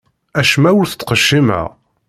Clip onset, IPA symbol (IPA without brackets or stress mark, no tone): æ